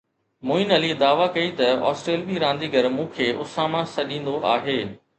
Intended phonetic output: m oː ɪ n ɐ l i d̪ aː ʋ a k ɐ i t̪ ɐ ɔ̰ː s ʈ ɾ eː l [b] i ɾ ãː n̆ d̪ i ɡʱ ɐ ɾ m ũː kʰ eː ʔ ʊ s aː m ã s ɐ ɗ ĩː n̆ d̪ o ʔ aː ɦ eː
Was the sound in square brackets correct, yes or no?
yes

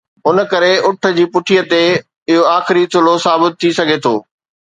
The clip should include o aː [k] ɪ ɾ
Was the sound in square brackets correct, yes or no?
no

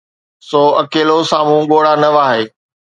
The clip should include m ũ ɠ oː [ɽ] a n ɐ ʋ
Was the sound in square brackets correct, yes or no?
yes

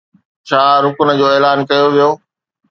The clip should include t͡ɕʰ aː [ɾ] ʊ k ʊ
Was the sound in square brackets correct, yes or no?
yes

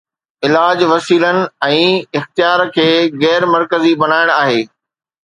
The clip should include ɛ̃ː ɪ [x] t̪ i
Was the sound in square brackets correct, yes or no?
yes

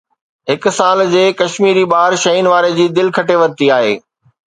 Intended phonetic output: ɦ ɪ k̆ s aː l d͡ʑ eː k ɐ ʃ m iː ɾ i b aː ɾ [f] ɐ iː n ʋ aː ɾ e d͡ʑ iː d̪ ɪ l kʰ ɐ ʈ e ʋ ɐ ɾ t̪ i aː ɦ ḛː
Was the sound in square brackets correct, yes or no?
no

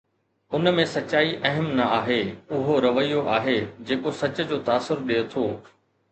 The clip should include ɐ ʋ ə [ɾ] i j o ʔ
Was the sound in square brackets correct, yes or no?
no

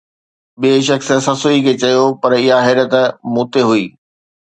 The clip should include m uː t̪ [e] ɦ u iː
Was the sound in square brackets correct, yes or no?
yes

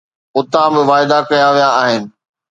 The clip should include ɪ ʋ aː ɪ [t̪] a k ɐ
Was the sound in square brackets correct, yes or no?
no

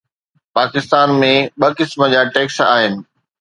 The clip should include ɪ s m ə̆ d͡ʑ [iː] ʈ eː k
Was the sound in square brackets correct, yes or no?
no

